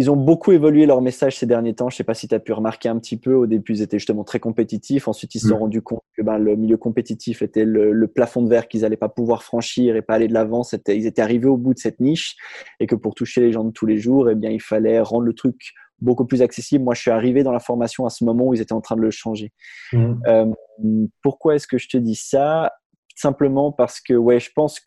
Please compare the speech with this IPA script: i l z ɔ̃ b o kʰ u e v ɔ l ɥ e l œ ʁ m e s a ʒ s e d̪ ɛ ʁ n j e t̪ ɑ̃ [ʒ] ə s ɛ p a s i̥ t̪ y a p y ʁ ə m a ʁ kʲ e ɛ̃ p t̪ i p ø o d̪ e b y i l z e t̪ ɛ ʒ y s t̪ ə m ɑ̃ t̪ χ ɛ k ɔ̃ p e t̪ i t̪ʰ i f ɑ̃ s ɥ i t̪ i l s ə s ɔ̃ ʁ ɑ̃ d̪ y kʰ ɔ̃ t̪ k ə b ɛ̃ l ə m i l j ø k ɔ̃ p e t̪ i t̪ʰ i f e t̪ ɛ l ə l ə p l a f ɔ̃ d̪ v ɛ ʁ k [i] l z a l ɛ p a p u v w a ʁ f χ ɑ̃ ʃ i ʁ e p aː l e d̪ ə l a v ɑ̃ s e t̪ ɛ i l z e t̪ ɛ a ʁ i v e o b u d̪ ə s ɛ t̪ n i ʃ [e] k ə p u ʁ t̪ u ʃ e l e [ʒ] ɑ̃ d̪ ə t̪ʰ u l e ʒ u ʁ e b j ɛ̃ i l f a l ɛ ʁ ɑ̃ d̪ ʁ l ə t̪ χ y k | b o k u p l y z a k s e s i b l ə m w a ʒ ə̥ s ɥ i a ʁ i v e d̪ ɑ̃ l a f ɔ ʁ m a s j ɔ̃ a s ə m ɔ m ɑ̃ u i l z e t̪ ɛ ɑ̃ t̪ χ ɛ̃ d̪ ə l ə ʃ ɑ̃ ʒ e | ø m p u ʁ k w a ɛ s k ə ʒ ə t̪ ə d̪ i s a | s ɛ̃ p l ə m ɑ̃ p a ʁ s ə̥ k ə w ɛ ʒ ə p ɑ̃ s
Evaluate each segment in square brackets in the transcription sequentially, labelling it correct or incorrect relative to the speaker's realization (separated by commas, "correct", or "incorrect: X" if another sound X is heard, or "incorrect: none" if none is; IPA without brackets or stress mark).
correct, correct, correct, correct